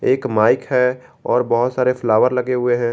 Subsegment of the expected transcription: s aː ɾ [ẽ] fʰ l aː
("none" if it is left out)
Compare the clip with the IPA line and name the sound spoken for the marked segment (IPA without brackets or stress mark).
e